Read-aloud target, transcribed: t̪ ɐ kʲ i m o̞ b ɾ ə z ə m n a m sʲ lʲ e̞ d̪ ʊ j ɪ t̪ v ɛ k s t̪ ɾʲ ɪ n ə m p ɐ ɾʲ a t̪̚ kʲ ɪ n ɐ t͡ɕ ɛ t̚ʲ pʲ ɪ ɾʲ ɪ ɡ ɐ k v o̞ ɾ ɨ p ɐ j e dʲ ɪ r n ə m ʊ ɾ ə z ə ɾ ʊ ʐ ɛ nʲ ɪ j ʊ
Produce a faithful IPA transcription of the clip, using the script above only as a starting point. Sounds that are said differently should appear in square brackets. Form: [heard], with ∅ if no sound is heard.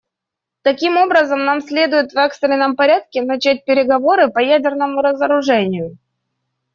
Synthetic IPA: t̪ ɐ kʲ i m o̞ b ɾ ə z ə m n a m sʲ lʲ e̞ d̪ ʊ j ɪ t̪ v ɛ k s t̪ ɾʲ ɪ n ə m p ɐ ɾʲ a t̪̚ kʲ ɪ n ɐ t͡ɕ [æ] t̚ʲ pʲ ɪ ɾʲ ɪ ɡ ɐ [∅] v o̞ ɾ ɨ p ɐ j [æ] dʲ ɪ r n ə m ʊ ɾ ə z ə ɾ ʊ ʐ ɛ nʲ ɪ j ʊ

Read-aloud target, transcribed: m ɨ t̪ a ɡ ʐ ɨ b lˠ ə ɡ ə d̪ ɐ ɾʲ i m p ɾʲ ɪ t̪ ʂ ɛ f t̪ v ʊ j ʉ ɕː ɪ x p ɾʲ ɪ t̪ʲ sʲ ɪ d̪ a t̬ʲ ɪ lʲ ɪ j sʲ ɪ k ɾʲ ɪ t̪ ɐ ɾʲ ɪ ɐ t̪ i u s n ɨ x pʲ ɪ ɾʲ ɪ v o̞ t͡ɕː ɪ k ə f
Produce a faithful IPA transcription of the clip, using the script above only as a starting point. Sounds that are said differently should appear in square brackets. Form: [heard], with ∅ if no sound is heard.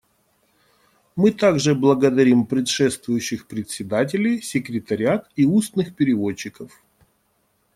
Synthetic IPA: m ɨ t̪ a ɡ ʐ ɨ b lˠ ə ɡ ə d̪ ɐ ɾʲ i m p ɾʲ ɪ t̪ ʂ ɛ [s] t̪ v ʊ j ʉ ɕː ɪ x p ɾʲ ɪ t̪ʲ sʲ ɪ d̪ a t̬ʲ ɪ lʲ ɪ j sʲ ɪ k ɾʲ ɪ t̪ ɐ ɾʲ ɪ [a] t̪ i u s n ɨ x pʲ ɪ ɾʲ ɪ v o̞ t͡ɕː ɪ k ə f

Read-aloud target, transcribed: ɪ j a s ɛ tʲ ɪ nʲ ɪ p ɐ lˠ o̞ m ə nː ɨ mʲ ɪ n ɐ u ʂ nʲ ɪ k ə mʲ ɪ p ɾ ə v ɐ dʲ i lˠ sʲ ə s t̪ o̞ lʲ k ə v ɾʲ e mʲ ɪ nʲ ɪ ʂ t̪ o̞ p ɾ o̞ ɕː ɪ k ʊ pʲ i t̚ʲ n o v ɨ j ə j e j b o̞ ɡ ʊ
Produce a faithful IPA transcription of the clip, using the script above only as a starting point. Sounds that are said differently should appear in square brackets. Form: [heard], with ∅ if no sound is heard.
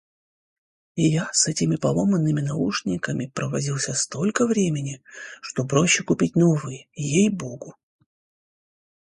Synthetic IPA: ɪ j a s ɛ tʲ ɪ [mʲ] ɪ p ɐ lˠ o̞ m ə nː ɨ mʲ ɪ n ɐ u ʂ nʲ ɪ k ə mʲ ɪ p ɾ ə v ɐ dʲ i lˠ sʲ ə s t̪ o̞ lʲ k ə v ɾʲ e mʲ ɪ nʲ ɪ ʂ t̪ o̞ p ɾ o̞ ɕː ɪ k ʊ pʲ i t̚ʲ n o v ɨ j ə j e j b o̞ ɡ ʊ

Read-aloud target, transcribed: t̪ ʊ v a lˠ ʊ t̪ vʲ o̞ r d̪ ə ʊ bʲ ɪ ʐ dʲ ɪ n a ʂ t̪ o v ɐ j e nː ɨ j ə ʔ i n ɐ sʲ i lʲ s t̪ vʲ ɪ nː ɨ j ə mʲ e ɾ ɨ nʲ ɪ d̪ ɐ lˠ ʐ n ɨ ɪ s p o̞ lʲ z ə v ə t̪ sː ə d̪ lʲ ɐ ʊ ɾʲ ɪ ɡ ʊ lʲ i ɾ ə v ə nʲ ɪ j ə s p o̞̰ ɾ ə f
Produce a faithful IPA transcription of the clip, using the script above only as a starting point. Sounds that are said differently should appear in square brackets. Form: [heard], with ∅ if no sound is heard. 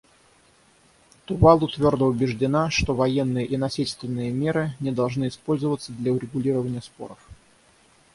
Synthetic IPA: t̪ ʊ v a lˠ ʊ t̪ vʲ o̞ r d̪ ə ʊ bʲ ɪ ʐ dʲ ɪ n a ʂ t̪ o v ɐ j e nː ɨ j ə ʔ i n ɐ sʲ i lʲ s t̪ vʲ ɪ nː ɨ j ə mʲ e ɾ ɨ nʲ ɪ d̪ ɐ lˠ ʐ n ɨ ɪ s p o̞ lʲ z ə v ə t̪ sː ə d̪ lʲ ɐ ʊ ɾʲ ɪ ɡ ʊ lʲ i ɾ ə v ə nʲ ɪ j ə s p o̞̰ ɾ ə f

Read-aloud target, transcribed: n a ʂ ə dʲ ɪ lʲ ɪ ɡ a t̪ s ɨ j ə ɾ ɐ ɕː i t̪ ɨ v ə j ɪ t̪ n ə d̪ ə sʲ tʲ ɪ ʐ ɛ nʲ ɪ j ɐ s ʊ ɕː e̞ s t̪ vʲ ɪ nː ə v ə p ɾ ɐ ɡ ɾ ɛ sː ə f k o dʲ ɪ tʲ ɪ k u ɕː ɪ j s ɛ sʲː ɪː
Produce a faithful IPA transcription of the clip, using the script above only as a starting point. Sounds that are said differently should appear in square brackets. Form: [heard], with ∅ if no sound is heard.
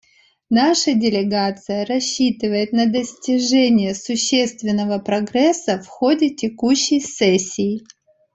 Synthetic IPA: n a ʂ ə dʲ ɪ lʲ ɪ ɡ a t̪ s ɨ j ə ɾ ɐ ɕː i t̪ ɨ v ə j ɪ t̪ n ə d̪ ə sʲ tʲ ɪ ʐ ɛ nʲ ɪ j [ə] s ʊ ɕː e̞ s t̪ vʲ ɪ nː ə v ə p ɾ ɐ ɡ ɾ ɛ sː ə f [x] o dʲ ɪ tʲ ɪ k u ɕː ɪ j s ɛ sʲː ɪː

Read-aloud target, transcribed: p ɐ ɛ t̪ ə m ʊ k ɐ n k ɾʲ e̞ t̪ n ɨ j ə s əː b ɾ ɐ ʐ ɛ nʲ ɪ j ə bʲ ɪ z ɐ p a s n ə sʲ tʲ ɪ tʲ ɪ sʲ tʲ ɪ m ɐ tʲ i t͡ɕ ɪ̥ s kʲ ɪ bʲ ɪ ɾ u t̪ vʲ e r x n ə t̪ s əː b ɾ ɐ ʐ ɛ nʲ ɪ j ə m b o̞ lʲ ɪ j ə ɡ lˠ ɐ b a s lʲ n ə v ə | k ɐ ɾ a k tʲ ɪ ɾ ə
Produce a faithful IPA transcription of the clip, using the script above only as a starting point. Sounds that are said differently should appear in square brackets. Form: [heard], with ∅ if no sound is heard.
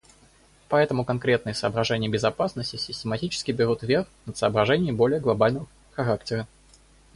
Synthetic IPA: p ɐ ɛ t̪ ə m ʊ k ɐ n k ɾʲ e̞ t̪ n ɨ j ə s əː b ɾ ɐ ʐ ɛ nʲ ɪ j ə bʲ ɪ z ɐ p a s n ə sʲ tʲ ɪ [sʲ] ɪ sʲ tʲ ɪ m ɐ tʲ i t͡ɕ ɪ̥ s kʲ ɪ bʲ ɪ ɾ u t̪ vʲ e r x n ə t̪ s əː b ɾ ɐ ʐ ɛ nʲ ɪ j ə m b o̞ lʲ ɪ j ə ɡ lˠ ɐ b a [∅] lʲ n ə v ə | [x] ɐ ɾ a k tʲ ɪ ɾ ə

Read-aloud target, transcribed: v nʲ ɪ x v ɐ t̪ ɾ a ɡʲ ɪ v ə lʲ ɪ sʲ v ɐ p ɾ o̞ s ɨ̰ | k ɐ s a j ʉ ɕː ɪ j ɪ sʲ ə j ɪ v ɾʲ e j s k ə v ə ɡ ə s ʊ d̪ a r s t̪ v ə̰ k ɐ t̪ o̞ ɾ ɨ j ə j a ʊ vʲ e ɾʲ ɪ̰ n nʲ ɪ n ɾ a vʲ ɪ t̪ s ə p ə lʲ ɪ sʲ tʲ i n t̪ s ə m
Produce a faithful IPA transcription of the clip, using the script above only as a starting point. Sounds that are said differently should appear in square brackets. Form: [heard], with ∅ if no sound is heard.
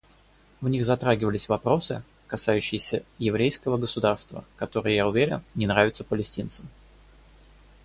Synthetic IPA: v nʲ [i] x [z] ɐ t̪ ɾ a ɡʲ ɪ v ə lʲ ɪ sʲ v ɐ p ɾ o̞ s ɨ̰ | k ɐ s a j ʉ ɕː ɪ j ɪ sʲ ə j ɪ v ɾʲ e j s k ə v ə ɡ ə s ʊ d̪ a r s t̪ v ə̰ k ɐ t̪ o̞ ɾ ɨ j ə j a ʊ vʲ e ɾʲ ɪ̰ n nʲ ɪ n ɾ a vʲ ɪ t̪ s ə p ə lʲ ɪ sʲ tʲ i n t̪ s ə m

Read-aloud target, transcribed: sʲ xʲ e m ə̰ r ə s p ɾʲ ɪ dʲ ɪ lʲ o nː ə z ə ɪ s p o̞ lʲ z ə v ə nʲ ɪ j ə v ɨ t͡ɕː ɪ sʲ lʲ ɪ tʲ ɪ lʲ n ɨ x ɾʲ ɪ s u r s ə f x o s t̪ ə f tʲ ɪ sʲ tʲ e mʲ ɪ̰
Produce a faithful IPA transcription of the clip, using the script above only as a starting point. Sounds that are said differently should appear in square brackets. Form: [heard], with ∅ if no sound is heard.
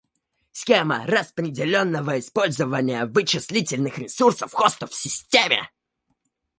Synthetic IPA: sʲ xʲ e m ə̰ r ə s p ɾʲ ɪ dʲ ɪ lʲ o nː ə [v] ə ɪ s p o̞ lʲ z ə v ə nʲ ɪ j ə v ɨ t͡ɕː ɪ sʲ lʲ [i] tʲ ɪ lʲ n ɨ x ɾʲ ɪ s u r s ə f x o s t̪ ə f [sʲ] ɪ sʲ tʲ e mʲ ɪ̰

